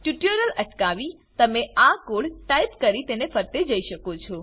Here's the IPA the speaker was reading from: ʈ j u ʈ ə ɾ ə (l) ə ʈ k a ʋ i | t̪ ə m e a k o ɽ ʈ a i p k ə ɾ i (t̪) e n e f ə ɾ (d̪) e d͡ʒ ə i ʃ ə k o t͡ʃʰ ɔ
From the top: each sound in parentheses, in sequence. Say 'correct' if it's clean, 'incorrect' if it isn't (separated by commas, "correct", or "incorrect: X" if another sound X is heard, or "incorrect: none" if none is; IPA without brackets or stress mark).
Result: correct, correct, incorrect: t̪